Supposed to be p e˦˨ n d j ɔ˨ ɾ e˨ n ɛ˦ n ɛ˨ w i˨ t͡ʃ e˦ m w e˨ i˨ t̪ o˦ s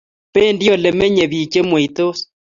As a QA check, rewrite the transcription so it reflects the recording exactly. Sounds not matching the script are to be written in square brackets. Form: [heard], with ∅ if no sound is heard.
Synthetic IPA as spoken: p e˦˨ n d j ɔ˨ [l] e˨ [m] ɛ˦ [ɲ] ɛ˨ [β] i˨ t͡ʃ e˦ m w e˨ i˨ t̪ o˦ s

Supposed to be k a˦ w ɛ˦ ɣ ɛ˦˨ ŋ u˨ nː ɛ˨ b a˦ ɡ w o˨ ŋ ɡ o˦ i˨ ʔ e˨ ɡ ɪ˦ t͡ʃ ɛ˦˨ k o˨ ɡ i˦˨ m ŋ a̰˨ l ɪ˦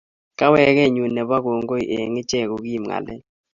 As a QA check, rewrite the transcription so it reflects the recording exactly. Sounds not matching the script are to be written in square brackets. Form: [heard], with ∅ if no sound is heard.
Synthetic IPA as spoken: k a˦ w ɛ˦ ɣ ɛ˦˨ [ɲ] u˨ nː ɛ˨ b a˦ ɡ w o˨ ŋ ɡ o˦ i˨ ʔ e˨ [ŋ] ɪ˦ t͡ʃ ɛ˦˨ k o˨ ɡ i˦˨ m ŋ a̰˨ l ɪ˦

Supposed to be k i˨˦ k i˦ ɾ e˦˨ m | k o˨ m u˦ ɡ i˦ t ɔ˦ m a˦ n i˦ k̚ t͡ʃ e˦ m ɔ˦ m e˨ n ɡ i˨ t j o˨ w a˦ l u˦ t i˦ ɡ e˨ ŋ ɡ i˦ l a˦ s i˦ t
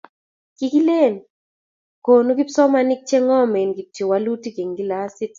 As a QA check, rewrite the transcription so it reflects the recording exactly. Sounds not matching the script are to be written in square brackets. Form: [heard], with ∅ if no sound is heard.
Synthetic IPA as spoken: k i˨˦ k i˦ [l] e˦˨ [n] | k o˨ [n] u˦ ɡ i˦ [s] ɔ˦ m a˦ n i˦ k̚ t͡ʃ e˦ [ŋ] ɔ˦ m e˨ n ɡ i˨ t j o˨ w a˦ l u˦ t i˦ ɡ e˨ ŋ ɡ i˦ l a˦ s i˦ t

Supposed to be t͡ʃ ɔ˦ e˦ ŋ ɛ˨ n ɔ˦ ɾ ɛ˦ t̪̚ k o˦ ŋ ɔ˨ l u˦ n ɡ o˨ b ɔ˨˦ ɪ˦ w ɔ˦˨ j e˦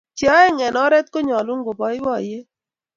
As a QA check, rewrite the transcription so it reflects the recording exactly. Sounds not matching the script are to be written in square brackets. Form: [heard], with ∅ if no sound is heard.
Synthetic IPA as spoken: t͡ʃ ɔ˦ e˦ ŋ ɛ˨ n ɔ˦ ɾ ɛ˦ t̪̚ k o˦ [ɲ] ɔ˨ l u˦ [ŋ] ɡ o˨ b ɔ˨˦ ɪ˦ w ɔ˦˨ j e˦

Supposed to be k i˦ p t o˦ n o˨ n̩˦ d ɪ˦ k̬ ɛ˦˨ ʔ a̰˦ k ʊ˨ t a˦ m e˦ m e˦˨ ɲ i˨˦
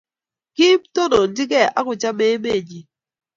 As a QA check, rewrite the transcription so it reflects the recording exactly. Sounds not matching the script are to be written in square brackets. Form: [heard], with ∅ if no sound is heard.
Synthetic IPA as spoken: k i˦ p t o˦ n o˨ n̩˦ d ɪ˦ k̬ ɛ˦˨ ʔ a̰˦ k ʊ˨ [t͡ʃ] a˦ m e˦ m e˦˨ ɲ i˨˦

